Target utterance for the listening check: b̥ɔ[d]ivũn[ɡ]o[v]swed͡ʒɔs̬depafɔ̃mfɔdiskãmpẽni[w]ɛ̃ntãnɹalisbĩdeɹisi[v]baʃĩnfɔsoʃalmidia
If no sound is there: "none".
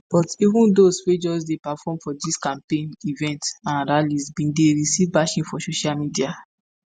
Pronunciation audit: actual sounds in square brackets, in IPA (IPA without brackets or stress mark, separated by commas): t, d, none, v, v